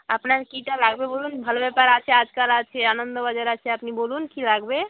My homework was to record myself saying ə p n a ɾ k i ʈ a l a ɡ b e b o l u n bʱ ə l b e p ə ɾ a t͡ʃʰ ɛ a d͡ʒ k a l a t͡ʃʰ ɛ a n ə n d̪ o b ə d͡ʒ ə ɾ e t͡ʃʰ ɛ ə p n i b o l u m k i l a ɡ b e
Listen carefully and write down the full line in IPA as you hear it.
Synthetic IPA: ə p n a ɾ k i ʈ a l a ɡ b e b o l u n bʱ ə l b e p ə ɾ a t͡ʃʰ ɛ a d͡ʒ k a l a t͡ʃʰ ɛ a n ə n d̪ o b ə d͡ʒ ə ɾ a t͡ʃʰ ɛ ə p n i b o l u n k i l a ɡ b e